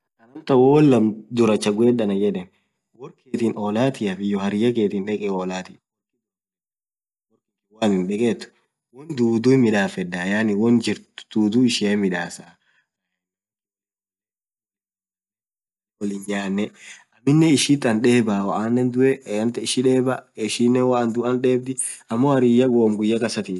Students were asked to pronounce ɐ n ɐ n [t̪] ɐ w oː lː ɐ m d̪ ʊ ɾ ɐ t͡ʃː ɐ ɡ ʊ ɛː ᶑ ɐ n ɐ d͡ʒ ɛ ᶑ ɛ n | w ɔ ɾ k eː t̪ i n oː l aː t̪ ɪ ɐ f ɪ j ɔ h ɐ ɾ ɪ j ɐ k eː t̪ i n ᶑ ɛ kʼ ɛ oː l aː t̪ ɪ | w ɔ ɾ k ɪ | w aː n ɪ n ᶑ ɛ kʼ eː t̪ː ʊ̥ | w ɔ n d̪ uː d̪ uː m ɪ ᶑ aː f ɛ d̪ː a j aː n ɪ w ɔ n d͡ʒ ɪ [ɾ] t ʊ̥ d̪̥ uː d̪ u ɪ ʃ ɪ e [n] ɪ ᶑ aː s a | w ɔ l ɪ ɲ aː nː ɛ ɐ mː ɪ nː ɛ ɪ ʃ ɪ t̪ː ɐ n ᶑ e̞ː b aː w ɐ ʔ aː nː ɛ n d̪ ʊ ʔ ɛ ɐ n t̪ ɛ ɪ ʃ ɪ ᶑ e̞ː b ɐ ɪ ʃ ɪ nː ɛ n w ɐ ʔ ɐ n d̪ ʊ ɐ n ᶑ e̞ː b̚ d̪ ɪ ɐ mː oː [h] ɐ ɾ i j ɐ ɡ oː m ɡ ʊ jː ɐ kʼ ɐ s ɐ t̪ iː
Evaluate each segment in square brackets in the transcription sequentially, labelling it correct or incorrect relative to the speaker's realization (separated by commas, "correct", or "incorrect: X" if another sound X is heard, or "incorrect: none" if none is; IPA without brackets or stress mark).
correct, correct, incorrect: m, correct